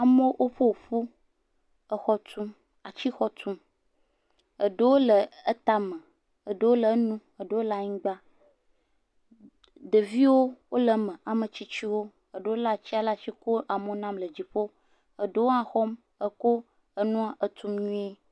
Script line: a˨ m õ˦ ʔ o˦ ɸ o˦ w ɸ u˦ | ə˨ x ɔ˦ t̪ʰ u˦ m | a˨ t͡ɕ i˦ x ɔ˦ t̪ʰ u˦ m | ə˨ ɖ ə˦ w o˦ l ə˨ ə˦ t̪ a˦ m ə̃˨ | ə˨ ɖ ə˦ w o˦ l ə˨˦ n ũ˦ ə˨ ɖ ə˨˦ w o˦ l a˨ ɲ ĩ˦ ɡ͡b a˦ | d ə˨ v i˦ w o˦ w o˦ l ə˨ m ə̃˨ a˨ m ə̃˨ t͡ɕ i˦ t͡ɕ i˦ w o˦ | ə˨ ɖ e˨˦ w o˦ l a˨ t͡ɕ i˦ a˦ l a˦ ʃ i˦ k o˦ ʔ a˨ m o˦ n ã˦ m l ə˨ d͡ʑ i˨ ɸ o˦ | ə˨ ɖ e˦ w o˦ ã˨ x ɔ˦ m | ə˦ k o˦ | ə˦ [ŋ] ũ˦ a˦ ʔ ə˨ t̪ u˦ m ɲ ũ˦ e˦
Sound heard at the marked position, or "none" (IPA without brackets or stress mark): n